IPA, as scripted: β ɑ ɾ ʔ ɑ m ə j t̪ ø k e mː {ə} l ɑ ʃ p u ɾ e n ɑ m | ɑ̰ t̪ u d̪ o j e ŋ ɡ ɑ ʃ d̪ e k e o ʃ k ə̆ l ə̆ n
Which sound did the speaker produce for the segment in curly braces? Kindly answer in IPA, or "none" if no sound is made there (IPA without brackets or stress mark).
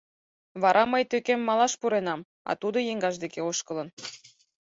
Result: ɑ